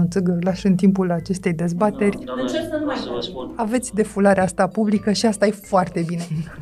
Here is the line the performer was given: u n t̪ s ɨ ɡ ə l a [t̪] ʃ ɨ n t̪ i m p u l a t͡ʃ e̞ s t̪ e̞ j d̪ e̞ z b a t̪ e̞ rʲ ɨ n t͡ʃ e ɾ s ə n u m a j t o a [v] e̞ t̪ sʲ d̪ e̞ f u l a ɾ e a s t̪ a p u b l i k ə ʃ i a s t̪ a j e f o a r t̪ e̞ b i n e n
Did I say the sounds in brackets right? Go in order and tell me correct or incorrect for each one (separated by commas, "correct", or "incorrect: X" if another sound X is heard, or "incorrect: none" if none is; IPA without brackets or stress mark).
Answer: incorrect: none, correct